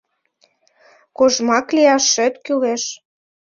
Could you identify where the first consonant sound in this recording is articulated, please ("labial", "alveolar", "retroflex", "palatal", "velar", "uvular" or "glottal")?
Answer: velar